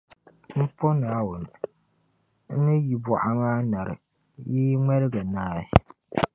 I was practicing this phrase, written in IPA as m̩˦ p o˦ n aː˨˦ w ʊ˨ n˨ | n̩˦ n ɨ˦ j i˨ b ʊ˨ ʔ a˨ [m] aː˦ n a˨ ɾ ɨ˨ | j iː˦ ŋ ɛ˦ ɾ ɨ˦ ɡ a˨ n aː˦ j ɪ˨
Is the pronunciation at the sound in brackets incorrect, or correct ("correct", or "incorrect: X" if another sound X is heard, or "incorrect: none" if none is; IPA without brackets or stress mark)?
correct